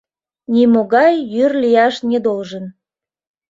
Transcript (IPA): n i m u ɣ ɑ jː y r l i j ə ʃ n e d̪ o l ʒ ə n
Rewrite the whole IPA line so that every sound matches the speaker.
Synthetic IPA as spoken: n i m o ɣ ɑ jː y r l i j ɑ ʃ n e d̪ o l ʒ ə n